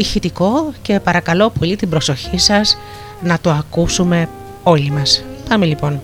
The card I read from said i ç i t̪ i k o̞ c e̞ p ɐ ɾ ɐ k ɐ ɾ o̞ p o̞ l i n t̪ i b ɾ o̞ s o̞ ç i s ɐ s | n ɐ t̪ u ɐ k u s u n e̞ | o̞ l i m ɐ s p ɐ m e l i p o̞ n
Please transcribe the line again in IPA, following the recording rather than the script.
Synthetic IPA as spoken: i ç i t̪ i k o̞ c e̞ p ɐ ɾ ɐ k ɐ l o̞ p o̞ l i t̪ i b ɾ o̞ s o̞ ç i s ɐ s | n ɐ t̪ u ɐ k u s u m e̞ | o̞ l i m ɐ s p ɐ m e l i p o̞ n